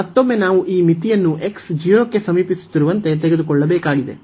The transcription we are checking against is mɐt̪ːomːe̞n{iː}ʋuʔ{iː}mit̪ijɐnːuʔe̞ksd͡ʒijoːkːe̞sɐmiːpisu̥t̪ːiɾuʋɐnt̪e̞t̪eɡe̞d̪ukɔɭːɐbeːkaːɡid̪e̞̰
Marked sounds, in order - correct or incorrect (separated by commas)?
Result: incorrect, correct